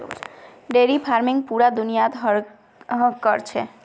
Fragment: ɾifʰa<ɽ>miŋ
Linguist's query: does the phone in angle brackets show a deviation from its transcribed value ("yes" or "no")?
yes